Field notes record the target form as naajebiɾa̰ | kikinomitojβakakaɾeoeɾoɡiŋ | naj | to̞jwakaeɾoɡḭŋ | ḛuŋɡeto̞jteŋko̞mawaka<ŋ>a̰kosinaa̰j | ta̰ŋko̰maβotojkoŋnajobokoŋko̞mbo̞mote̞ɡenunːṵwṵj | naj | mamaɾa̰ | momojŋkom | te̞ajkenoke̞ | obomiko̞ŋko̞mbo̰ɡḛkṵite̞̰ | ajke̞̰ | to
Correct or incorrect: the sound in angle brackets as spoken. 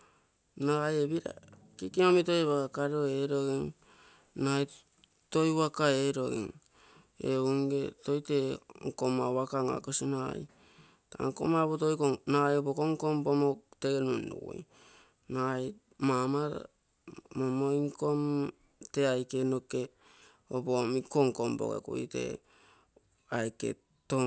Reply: correct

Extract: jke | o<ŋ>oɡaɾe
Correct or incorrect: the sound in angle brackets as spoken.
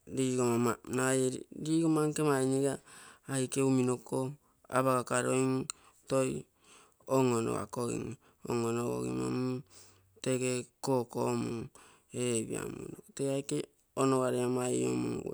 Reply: incorrect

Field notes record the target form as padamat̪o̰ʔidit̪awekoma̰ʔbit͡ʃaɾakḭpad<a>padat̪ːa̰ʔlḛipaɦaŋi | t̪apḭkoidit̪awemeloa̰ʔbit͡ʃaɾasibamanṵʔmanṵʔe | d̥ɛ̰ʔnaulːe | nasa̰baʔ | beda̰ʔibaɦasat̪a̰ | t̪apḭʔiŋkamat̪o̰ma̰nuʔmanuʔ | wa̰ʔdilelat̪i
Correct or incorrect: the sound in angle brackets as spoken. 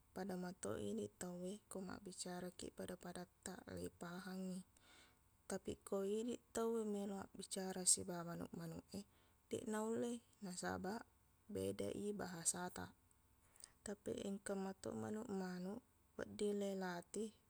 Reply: correct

